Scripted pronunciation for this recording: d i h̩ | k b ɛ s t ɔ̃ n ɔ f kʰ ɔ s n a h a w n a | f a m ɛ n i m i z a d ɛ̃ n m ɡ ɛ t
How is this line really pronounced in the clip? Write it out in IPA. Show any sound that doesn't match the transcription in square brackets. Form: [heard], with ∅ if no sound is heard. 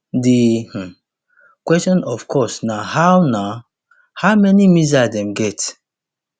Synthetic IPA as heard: d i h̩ | k [w] ɛ s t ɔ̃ n ɔ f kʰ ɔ s n a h a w n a | [h] a m ɛ n i m i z a d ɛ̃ [∅] m ɡ ɛ t